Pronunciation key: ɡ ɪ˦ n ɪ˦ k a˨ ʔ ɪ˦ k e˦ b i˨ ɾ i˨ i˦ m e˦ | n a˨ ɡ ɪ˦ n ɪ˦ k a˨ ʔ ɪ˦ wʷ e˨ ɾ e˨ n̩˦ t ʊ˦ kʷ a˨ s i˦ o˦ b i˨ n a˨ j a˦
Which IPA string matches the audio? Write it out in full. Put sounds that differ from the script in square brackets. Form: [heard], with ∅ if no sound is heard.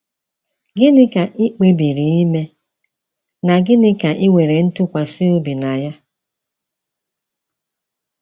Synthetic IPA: ɡ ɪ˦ n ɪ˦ k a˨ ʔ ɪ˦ [k͡p] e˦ b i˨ ɾ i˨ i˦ m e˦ | n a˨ ɡ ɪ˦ n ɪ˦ k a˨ ʔ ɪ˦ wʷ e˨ ɾ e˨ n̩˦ t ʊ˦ kʷ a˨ s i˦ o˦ b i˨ n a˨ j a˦